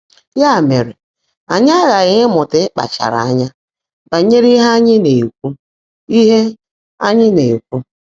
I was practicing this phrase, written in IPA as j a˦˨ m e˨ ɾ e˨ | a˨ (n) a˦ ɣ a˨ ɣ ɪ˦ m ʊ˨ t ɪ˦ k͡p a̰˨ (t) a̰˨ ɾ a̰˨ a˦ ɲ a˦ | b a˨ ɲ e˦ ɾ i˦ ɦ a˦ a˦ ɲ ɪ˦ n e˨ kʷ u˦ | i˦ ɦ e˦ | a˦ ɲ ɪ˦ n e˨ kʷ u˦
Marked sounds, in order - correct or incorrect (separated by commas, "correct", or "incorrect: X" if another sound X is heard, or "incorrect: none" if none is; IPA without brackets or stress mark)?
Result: incorrect: ɲ, incorrect: t͡ʃ